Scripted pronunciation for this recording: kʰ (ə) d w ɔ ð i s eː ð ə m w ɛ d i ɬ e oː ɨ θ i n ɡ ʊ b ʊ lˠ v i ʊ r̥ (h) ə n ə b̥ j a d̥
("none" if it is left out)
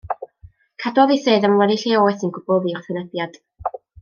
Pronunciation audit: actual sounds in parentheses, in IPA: a, θ

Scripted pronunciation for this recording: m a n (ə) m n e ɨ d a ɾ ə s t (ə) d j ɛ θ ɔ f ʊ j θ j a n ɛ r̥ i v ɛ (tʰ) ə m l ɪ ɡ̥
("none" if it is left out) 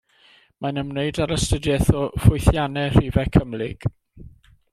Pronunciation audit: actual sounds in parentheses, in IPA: ə, ə, kʰ

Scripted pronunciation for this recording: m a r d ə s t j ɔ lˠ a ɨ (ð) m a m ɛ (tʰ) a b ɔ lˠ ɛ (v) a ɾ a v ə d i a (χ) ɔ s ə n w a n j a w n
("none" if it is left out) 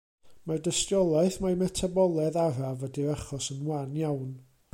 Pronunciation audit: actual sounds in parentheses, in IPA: θ, tʰ, ð, χ

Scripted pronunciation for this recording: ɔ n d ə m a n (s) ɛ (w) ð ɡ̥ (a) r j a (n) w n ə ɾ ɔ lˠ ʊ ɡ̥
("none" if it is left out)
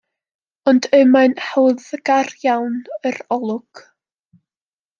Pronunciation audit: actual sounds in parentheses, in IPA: h, w, a, none

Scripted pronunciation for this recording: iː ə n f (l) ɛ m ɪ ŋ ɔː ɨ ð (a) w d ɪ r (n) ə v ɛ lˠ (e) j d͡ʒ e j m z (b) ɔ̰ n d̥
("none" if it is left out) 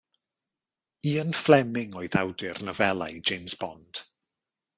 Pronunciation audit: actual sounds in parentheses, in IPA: l, a, n, a, b

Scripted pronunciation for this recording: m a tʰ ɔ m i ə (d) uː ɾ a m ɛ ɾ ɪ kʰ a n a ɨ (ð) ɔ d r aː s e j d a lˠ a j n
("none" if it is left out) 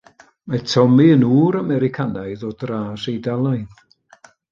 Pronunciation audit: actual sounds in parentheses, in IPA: n, ð

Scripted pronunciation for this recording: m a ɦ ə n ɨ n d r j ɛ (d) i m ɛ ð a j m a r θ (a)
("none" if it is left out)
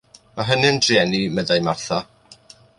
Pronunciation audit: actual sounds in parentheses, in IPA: n, a

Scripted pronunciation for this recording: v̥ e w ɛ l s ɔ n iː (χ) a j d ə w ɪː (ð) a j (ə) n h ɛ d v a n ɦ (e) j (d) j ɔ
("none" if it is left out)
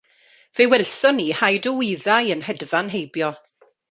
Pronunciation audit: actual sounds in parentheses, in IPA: h, ð, ə, e, b

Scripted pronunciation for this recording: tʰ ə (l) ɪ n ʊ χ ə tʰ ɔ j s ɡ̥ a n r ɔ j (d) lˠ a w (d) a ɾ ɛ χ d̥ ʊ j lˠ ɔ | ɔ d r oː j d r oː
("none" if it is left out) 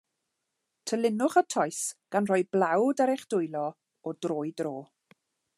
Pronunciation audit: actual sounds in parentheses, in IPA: l, b, d

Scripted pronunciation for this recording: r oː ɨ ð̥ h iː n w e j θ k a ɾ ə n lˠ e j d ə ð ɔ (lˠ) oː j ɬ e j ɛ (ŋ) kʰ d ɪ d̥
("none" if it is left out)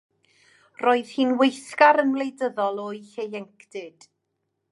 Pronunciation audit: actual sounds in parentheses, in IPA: lˠ, ŋ

